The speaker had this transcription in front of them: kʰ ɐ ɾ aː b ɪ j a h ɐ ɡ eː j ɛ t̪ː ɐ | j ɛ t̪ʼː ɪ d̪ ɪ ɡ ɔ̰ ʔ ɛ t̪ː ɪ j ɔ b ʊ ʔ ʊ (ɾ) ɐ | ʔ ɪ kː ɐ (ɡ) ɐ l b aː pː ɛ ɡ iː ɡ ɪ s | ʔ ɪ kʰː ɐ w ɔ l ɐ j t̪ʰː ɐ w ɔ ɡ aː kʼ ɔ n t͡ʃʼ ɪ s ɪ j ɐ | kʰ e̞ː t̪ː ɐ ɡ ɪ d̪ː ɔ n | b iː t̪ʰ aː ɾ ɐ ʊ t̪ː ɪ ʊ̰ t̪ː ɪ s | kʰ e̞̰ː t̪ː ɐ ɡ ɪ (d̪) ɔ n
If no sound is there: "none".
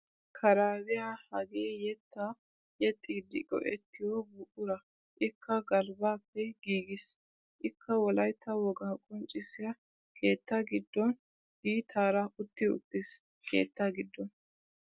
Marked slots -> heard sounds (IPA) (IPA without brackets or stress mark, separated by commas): ɾ, ɡ, d̪ː